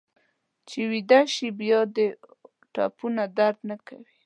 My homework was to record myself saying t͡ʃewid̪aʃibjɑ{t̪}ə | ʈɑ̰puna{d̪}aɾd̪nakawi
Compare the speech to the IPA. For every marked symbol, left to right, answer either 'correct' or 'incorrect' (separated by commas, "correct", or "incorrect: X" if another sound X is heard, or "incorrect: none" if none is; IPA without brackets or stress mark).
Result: incorrect: d̪, correct